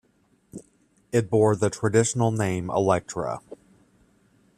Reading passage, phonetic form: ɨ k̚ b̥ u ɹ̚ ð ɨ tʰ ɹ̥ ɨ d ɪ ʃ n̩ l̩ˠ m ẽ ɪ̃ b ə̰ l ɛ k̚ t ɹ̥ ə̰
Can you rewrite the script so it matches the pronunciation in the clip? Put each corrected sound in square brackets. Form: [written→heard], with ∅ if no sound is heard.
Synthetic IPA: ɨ [k̚→t̚] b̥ [u→ɔ] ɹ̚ ð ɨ tʰ ɹ̥ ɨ d ɪ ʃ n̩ l̩ˠ [m→n] ẽ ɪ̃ [b→m] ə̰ l ɛ k̚ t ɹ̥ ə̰